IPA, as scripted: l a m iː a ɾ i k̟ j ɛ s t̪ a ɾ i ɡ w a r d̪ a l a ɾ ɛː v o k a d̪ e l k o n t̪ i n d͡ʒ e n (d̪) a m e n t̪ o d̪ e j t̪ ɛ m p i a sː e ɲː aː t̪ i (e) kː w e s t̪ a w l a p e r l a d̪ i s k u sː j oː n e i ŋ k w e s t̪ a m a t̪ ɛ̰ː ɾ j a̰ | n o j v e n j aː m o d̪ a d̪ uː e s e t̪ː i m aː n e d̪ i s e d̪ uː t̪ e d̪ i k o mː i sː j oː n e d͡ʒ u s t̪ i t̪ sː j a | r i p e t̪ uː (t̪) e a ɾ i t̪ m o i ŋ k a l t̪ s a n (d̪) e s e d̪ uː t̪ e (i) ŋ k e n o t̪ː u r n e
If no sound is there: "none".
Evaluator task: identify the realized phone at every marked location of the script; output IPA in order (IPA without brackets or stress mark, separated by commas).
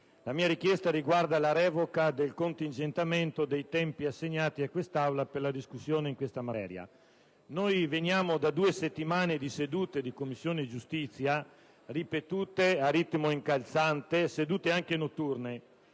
t̪, a, t̪, t̪, a